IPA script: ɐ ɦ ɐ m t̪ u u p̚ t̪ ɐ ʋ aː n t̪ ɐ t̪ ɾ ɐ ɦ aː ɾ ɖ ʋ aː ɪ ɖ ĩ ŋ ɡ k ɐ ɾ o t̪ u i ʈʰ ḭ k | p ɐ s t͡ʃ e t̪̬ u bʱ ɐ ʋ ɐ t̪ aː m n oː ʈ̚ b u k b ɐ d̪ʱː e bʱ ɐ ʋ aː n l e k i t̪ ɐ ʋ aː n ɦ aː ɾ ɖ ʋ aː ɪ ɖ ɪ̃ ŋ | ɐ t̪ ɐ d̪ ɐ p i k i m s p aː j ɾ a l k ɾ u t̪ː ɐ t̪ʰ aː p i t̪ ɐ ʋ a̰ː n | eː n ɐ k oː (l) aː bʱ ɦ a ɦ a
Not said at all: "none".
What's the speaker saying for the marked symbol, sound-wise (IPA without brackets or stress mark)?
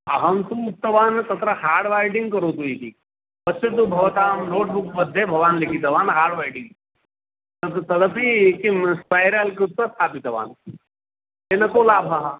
l